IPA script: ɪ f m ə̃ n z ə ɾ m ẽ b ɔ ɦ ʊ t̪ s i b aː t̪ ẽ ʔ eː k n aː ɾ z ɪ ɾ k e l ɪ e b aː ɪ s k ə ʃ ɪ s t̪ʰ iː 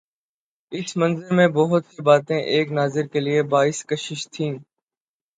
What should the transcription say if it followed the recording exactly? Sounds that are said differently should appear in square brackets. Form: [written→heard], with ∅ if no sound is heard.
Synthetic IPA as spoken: ɪ [f→s] m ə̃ n z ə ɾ m ẽ b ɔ ɦ ʊ t̪ s i b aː t̪ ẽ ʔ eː k n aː [ɾ→∅] z ɪ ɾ k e l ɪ e b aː ɪ s k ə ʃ ɪ [s→ʃ] t̪ʰ [iː→ĩː]